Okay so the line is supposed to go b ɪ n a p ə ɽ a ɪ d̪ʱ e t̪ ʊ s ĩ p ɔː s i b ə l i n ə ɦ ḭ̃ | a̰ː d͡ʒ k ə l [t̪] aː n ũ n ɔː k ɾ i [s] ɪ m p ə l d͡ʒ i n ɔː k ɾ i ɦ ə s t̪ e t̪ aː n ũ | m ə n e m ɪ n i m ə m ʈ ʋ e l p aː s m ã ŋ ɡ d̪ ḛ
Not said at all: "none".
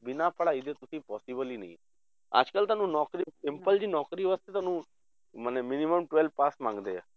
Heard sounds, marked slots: t̪, s

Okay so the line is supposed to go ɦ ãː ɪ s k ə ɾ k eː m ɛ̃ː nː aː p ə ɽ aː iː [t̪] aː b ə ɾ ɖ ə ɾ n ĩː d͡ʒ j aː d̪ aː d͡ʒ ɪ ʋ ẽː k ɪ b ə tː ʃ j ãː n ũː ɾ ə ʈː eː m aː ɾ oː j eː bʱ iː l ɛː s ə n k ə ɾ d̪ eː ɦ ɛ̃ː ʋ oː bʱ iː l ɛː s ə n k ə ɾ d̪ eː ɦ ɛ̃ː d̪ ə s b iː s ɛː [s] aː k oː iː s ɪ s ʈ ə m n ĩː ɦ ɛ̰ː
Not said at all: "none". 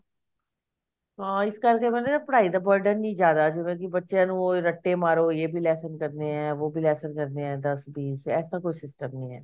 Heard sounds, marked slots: d̪, s

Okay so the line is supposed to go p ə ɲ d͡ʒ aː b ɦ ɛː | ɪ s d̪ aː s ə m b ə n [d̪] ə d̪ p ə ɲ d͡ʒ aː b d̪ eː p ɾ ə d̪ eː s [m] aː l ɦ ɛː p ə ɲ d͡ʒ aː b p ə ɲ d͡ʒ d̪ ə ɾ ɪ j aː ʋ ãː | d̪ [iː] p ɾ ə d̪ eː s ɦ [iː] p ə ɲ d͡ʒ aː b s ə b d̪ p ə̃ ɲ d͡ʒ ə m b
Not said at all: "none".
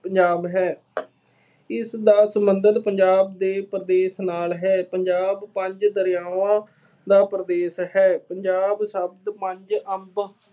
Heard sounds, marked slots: d̪, n, aː, ɛː

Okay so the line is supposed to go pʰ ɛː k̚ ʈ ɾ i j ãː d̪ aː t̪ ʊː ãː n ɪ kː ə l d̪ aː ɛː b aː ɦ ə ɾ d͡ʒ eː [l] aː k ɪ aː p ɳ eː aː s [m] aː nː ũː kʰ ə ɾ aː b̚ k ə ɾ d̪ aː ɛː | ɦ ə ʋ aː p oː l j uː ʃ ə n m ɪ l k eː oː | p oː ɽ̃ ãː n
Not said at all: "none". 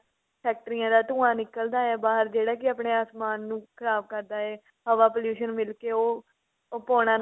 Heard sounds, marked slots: ɽ, m

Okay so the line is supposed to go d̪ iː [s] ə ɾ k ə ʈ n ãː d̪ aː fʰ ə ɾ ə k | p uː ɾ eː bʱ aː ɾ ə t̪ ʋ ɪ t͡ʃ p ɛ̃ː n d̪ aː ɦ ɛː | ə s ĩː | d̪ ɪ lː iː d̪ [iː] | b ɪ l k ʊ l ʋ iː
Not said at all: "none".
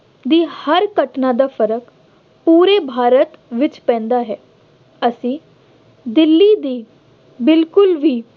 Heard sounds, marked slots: h, iː

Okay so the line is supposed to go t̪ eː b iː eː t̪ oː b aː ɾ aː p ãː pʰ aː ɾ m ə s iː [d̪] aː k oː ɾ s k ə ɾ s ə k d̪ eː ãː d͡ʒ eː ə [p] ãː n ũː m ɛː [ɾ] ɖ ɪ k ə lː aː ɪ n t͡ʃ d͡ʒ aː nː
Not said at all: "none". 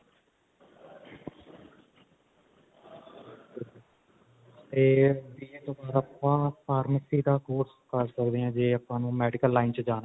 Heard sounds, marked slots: d̪, p, none

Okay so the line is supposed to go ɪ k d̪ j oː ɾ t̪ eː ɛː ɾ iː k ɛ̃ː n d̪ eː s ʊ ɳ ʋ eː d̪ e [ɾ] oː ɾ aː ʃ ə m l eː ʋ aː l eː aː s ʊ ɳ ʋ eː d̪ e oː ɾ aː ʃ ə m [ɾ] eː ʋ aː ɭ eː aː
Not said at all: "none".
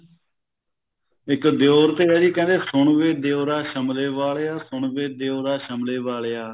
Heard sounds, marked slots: none, l

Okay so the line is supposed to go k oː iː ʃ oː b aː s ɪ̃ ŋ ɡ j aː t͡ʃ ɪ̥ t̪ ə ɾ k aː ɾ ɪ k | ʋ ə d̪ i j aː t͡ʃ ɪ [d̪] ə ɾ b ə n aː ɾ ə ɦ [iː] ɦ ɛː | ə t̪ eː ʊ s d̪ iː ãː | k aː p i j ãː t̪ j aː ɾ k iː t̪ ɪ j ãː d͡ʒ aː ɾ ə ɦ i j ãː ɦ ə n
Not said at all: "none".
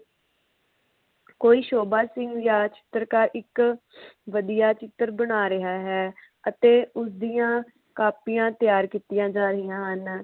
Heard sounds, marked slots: t̪, aː

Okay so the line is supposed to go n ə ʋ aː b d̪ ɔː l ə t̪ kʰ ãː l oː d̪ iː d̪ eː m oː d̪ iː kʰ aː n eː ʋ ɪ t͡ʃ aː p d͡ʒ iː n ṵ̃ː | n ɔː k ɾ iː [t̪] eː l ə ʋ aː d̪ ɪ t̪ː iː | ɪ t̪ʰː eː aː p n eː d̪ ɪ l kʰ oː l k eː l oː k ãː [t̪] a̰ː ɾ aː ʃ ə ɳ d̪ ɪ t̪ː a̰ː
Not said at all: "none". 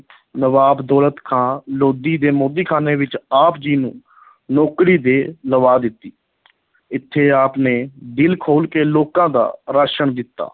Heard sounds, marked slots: d̪, d̪

